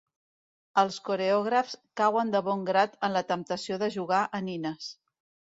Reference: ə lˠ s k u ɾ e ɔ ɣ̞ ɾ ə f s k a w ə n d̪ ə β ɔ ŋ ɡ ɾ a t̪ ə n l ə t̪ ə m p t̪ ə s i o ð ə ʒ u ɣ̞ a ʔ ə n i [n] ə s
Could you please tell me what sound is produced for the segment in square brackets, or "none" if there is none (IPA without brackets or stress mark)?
n